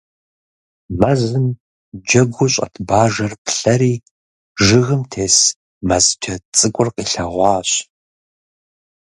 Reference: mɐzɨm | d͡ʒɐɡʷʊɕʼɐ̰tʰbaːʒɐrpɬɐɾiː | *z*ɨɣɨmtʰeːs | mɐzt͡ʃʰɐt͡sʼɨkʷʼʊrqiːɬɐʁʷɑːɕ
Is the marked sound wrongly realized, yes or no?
yes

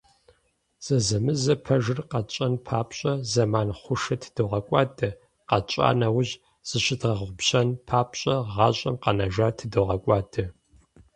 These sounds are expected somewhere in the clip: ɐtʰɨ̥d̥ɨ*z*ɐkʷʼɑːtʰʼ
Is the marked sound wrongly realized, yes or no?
yes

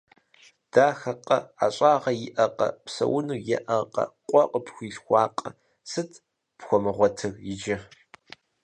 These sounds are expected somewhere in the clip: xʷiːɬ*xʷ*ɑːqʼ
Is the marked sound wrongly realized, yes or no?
no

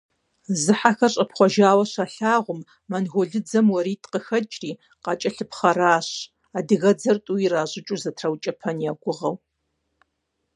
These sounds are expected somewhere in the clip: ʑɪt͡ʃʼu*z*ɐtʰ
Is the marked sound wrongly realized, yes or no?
no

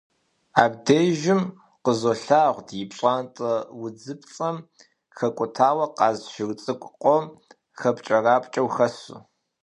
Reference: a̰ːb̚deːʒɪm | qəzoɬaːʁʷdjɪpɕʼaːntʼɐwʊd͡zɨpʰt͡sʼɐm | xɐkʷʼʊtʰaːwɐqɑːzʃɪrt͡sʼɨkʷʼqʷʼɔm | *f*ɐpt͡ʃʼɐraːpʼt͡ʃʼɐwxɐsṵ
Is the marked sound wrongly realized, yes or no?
yes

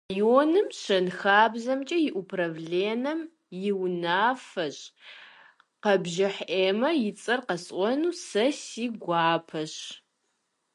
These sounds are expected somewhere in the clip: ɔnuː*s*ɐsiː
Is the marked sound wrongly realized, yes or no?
no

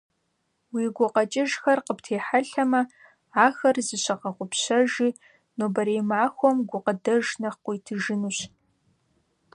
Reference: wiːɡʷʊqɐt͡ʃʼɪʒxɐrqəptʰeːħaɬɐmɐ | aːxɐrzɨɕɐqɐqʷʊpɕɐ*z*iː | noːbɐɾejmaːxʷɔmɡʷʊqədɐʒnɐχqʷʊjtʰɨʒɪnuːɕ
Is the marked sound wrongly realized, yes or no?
yes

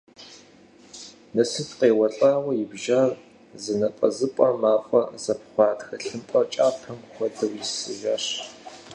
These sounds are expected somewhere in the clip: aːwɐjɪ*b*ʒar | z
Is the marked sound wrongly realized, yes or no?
no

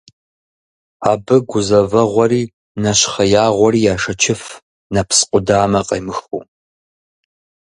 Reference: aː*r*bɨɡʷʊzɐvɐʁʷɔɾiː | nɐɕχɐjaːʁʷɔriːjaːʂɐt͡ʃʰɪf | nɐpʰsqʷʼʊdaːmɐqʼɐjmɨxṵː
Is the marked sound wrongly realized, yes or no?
yes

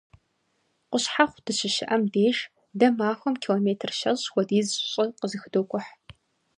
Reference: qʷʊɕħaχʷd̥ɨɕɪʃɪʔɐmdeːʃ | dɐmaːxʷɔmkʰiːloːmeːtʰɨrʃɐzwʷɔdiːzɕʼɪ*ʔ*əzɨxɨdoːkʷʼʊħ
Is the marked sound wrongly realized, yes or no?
yes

